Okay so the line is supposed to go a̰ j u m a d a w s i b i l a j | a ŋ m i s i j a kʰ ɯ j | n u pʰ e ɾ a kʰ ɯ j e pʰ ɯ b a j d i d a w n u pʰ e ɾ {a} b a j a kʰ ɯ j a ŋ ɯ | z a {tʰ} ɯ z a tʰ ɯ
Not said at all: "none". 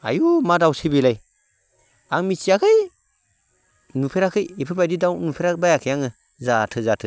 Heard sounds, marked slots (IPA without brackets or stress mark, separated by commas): a, tʰ